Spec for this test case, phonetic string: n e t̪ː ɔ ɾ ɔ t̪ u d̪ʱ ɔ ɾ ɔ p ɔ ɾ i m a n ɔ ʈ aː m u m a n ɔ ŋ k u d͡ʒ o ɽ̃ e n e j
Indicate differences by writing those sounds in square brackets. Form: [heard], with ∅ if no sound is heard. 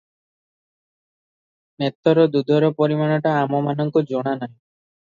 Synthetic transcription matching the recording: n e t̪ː ɔ ɾ ɔ [d̪] u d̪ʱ ɔ ɾ ɔ p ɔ ɾ i m a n ɔ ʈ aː m [ɔ] m a n ɔ ŋ k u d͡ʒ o ɽ̃ [a] n [a] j